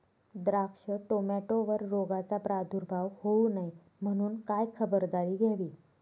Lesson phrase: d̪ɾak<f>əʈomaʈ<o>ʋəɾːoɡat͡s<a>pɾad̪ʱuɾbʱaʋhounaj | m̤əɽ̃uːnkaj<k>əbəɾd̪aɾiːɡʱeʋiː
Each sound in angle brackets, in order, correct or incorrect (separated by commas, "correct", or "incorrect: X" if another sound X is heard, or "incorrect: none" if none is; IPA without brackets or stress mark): incorrect: ʂ, correct, correct, incorrect: kʰ